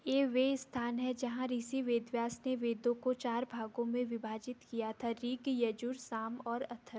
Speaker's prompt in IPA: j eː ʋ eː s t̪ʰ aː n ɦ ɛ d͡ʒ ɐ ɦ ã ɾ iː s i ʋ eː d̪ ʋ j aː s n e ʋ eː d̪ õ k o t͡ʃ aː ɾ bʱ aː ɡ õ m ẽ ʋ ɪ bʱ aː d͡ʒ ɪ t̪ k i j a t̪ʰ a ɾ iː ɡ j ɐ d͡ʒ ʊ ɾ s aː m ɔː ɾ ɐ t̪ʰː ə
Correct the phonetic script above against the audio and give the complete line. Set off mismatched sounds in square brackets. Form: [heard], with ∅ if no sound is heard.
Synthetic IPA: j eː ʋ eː s t̪ʰ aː n ɦ ɛ d͡ʒ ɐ ɦ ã ɾ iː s i ʋ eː d̪ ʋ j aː s n e ʋ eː d̪ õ k o t͡ʃ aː ɾ bʱ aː ɡ õ m ẽ ʋ ɪ bʱ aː d͡ʒ ɪ t̪ k i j a t̪ʰ a ɾ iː ɡ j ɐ d͡ʒ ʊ ɾ s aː m ɔː ɾ ɐ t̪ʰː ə